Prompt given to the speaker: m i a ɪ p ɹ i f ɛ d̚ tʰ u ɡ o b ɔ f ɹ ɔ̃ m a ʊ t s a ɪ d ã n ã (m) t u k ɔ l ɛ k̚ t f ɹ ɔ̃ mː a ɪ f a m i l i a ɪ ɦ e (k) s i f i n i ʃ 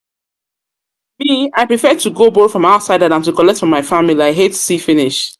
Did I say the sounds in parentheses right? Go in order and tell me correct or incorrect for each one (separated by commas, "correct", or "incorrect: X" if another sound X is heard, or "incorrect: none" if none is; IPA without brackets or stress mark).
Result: incorrect: n, incorrect: t